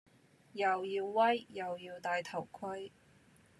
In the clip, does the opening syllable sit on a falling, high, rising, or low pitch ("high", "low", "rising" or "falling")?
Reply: low